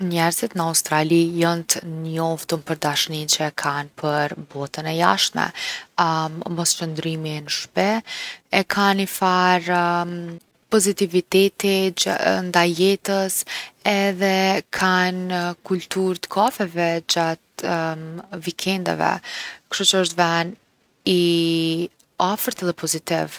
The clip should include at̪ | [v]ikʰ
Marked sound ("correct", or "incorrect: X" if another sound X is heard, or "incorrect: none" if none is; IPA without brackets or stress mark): correct